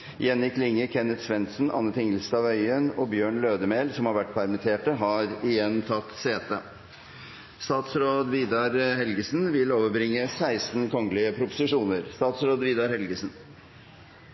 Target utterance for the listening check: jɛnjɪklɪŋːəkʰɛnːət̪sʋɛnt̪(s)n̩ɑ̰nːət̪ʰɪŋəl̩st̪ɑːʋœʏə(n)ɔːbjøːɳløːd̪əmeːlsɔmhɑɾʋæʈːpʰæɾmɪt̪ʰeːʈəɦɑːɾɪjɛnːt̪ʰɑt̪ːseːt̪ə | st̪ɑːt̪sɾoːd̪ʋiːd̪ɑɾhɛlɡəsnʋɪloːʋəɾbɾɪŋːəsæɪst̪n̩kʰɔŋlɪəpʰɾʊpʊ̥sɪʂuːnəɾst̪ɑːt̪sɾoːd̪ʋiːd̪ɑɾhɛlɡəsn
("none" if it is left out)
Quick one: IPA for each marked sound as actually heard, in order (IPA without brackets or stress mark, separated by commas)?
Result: s, n